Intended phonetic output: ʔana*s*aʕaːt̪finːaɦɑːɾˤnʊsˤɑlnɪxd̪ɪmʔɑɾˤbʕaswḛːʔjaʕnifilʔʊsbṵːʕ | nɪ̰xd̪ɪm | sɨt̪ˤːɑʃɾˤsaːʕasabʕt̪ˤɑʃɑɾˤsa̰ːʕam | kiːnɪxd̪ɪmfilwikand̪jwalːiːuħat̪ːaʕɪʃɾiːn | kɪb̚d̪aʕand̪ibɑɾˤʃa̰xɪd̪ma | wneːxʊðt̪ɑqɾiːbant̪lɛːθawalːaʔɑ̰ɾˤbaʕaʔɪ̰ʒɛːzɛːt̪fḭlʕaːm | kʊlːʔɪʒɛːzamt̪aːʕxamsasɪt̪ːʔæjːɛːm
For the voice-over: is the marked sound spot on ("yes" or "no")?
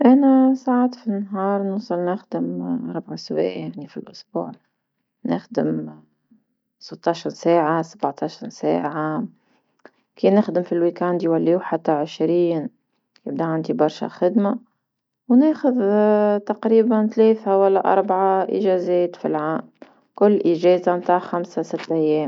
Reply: yes